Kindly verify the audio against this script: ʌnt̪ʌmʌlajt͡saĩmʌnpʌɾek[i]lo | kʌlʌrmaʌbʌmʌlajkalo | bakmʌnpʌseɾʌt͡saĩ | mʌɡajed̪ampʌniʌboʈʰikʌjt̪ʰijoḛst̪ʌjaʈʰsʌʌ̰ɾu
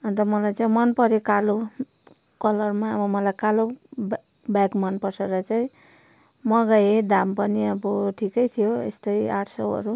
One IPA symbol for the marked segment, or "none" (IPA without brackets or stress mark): a